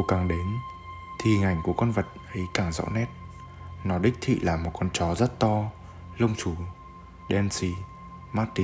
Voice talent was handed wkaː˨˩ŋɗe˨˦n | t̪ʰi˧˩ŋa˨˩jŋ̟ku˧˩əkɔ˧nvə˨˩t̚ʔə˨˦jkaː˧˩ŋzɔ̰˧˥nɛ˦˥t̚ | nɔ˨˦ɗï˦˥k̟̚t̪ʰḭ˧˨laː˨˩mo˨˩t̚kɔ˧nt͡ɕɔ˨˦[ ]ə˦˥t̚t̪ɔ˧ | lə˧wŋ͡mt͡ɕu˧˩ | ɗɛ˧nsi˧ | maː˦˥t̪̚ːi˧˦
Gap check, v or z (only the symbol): z